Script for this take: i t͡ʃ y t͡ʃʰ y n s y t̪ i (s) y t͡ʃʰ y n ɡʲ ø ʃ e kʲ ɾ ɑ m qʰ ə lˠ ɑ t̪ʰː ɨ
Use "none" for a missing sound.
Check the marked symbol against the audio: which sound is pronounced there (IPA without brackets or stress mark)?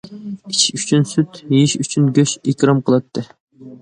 ʃ